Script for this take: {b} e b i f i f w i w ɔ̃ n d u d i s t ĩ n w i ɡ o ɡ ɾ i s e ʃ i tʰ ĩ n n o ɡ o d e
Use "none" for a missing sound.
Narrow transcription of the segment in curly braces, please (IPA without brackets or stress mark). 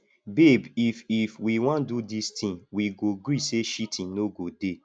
b